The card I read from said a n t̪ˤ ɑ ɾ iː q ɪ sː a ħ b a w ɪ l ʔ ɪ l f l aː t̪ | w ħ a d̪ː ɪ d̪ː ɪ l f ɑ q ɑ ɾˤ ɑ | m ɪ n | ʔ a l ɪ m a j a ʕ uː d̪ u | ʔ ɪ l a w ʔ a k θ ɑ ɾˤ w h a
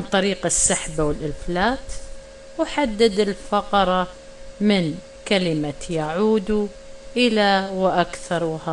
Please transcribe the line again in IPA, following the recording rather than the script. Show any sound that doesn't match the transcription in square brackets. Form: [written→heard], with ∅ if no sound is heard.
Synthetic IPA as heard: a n t̪ˤ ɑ ɾ iː q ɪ sː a ħ b a w ɪ l ʔ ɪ l f l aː t̪ | w ħ a d̪ː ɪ [d̪ː→d̪] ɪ l f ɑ q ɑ ɾˤ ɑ | m ɪ n | [ʔ→k] a l ɪ m a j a ʕ uː d̪ u | ʔ ɪ l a w ʔ a k θ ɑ ɾˤ w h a